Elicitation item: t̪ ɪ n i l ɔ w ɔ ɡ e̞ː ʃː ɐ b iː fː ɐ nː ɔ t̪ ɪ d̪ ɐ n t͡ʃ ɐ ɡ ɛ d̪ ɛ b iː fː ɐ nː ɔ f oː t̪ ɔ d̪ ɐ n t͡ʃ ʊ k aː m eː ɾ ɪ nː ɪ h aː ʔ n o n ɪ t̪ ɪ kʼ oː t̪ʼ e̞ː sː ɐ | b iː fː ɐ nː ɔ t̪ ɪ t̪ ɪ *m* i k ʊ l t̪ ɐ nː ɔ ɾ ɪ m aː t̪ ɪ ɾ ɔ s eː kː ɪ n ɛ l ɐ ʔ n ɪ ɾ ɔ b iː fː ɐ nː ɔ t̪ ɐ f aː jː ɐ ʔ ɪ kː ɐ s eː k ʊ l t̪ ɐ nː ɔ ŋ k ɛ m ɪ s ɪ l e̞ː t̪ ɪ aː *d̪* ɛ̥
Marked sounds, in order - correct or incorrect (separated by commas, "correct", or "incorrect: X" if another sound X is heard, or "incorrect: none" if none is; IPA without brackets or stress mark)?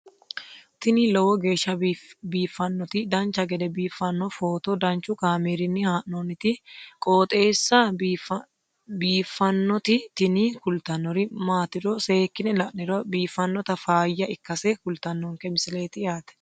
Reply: incorrect: n, incorrect: t̪